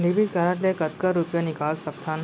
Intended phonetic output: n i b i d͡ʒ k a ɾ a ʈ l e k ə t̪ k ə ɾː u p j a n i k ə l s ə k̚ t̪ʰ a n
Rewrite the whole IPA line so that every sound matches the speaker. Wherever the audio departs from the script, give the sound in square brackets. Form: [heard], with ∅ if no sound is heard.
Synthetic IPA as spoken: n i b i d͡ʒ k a ɾ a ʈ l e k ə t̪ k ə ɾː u p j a n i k [a] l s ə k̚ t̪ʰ a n